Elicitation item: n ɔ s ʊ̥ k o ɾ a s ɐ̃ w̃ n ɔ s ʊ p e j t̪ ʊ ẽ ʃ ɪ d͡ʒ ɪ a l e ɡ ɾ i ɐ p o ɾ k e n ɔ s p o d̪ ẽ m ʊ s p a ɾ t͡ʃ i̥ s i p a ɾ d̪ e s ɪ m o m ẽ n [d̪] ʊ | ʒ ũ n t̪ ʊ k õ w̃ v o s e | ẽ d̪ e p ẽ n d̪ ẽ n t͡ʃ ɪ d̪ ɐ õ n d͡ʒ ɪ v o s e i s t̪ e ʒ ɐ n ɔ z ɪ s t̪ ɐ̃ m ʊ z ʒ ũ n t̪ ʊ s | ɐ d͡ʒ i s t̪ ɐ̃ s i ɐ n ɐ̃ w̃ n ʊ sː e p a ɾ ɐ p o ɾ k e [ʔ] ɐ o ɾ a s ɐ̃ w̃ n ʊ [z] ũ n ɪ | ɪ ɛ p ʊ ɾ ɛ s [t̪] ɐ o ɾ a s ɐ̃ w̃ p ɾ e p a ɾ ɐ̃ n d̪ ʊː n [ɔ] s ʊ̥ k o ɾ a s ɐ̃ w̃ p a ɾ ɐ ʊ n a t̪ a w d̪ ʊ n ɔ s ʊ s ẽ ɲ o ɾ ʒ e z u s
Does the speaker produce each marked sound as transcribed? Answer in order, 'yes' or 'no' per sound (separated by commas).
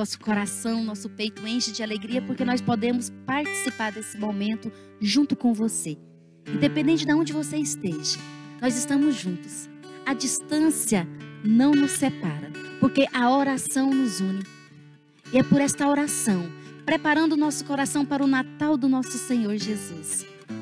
no, yes, yes, yes, yes